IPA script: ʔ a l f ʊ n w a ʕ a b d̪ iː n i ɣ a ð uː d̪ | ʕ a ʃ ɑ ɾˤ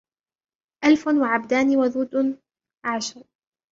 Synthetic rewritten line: ʔ a l f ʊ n w a ʕ a b d̪ aː n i w a ð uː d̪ | ʕ a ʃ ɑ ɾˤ